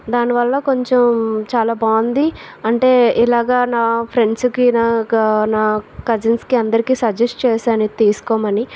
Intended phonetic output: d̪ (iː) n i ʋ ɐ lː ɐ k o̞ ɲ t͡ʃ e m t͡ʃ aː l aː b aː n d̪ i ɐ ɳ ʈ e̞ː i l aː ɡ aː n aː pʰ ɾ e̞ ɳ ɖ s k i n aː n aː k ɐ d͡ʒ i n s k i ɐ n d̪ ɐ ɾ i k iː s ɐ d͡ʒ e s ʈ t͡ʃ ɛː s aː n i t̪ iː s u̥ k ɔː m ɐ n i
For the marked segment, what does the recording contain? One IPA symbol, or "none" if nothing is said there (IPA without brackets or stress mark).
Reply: aː